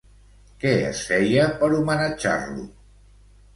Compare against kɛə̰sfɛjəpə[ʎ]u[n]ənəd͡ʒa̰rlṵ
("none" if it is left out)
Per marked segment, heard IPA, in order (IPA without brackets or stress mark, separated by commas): ɾ, m